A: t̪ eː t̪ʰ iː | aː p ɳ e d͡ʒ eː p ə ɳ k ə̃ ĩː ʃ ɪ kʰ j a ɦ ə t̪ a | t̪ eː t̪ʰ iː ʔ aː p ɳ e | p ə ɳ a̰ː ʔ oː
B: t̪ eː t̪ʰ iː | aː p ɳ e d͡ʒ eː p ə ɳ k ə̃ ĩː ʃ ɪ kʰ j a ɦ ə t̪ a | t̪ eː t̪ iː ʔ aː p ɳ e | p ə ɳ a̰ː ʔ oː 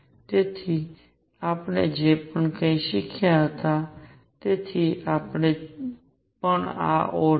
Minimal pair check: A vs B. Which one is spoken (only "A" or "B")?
A